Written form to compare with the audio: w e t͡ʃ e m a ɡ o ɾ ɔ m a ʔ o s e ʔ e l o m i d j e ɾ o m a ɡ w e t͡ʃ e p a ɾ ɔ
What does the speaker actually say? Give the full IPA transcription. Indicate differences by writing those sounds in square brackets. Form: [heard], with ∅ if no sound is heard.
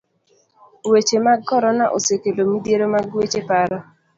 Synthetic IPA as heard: w e t͡ʃ e m a ɡ [ɔ] ɾ ɔ [n] a ʔ o s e [k] e l o m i d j e ɾ o m a ɡ w e t͡ʃ e p a ɾ ɔ